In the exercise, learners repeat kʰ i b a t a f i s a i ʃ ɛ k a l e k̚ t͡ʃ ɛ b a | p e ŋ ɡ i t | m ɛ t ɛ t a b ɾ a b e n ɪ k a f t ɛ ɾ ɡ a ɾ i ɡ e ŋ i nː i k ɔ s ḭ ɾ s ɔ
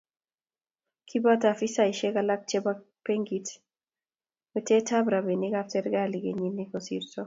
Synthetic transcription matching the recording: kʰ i b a t a f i s a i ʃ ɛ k a l a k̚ t͡ʃ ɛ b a | p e ŋ ɡ i t | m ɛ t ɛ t a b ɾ a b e n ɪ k a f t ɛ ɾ ɡ a l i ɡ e ɲ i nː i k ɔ s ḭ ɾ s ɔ